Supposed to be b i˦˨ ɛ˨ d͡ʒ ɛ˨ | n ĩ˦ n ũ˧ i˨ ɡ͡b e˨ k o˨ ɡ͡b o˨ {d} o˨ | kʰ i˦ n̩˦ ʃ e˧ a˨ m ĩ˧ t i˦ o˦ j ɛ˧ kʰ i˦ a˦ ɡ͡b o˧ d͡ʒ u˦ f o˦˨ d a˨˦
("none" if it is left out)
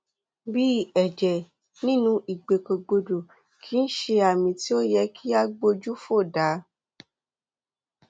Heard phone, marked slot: d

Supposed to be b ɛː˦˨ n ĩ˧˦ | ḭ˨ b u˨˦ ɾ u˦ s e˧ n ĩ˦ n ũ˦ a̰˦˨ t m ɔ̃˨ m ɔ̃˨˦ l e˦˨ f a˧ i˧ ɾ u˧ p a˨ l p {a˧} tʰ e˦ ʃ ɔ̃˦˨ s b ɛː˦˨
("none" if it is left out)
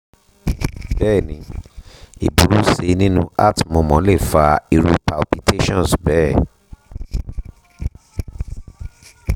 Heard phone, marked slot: i˧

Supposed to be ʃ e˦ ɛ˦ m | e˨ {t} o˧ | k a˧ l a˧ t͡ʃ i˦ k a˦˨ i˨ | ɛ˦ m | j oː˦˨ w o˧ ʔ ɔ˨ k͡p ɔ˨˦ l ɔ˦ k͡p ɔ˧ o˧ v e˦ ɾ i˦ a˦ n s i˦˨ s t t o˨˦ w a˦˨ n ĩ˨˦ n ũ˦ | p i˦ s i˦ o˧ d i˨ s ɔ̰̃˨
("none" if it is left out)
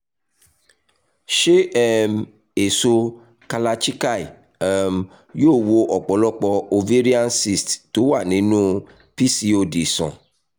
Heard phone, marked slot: s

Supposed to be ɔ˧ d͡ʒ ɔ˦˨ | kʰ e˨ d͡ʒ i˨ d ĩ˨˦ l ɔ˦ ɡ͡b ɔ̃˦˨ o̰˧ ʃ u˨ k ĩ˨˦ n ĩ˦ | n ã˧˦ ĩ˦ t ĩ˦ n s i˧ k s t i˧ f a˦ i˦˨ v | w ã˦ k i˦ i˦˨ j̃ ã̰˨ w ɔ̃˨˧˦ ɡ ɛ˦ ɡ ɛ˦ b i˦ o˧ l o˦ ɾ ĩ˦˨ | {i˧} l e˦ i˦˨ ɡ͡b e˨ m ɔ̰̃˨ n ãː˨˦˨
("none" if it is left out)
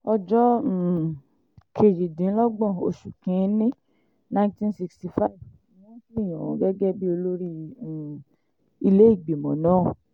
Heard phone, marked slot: i˧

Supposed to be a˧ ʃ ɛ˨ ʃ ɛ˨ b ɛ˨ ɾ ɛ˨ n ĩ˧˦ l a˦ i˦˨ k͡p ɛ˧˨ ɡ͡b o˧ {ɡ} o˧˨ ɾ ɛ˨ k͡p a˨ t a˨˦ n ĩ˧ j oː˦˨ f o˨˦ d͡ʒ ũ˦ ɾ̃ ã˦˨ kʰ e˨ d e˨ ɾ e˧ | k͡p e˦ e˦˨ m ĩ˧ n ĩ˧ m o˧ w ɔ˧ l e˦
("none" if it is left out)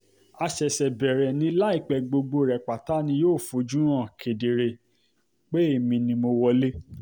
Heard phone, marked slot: ɡ͡b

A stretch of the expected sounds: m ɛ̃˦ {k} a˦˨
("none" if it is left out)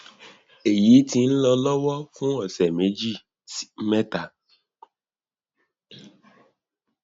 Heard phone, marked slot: t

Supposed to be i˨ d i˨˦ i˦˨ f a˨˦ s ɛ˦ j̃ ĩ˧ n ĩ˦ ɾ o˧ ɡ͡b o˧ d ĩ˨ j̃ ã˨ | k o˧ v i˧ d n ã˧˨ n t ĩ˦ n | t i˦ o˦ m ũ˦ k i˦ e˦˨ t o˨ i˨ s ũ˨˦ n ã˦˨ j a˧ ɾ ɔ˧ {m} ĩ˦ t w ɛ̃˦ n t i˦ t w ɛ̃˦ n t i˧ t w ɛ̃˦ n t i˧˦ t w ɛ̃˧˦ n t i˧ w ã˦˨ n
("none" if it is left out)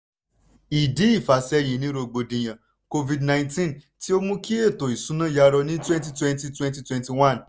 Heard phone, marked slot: n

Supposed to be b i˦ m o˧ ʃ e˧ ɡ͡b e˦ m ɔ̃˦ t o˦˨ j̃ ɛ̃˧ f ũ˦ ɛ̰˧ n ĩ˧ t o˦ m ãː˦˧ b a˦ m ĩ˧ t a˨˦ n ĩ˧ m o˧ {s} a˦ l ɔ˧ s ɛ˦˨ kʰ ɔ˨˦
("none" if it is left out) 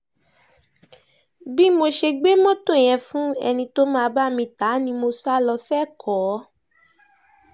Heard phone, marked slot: s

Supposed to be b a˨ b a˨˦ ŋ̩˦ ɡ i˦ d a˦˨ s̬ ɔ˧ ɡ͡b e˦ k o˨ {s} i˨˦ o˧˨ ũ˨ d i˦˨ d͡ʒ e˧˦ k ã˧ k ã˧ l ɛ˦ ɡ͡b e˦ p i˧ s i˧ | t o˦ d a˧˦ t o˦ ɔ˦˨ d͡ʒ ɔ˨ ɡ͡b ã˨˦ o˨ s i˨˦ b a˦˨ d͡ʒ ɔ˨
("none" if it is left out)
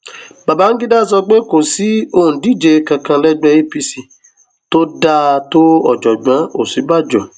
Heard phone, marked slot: s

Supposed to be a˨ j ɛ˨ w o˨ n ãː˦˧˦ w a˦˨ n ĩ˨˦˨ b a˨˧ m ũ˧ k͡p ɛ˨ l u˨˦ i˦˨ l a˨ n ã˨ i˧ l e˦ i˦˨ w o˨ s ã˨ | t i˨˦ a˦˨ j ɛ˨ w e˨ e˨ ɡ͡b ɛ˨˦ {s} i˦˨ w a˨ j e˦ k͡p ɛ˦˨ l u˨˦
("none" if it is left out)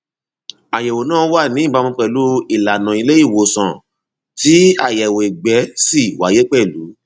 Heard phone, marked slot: s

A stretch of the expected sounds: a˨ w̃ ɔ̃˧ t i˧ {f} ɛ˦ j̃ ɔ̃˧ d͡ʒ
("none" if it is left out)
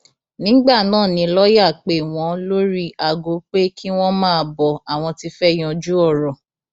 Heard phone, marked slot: f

